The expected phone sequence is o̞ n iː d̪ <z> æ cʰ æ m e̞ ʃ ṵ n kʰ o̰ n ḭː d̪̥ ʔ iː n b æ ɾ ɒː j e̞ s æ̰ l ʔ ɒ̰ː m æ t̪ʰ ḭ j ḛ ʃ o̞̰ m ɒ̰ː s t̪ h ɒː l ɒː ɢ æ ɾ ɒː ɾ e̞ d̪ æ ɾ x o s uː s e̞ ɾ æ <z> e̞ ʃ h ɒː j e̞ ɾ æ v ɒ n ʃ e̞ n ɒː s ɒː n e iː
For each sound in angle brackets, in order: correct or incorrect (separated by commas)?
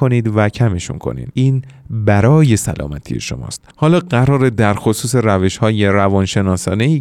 incorrect, incorrect